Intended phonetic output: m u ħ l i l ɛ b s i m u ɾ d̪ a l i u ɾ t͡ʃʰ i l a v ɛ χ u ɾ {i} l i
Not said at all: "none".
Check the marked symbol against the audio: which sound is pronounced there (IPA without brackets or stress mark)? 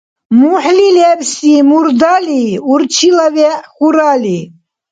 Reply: a